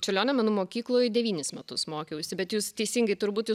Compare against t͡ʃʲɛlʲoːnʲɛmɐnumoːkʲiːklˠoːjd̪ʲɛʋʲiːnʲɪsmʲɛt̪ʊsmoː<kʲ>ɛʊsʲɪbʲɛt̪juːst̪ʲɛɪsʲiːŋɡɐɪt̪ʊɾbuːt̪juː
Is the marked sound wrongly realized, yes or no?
no